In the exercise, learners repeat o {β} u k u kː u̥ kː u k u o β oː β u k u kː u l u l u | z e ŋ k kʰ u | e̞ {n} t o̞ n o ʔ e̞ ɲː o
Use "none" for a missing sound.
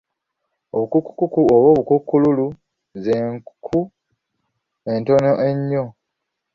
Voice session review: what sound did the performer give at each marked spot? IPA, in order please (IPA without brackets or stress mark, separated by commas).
β, n